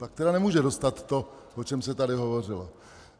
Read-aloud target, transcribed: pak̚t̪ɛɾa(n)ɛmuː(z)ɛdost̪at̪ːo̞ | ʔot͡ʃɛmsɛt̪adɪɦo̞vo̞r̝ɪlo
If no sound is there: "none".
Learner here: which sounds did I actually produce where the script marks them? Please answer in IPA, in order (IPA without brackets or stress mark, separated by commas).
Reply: n, ʒ